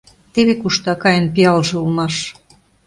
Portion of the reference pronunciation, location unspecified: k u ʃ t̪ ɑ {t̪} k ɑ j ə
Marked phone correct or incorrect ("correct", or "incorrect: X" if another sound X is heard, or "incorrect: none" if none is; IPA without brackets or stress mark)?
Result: incorrect: none